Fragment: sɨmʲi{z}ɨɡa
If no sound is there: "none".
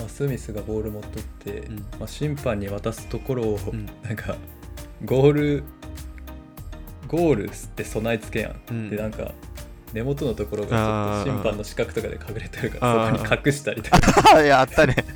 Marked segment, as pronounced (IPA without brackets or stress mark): s